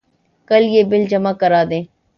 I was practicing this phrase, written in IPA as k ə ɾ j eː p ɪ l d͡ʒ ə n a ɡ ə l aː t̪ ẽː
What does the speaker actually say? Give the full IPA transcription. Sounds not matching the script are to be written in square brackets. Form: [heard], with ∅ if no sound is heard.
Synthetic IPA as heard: k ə [l] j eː [b] ɪ l d͡ʒ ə [m] a [k] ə [ɾ] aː [d̪] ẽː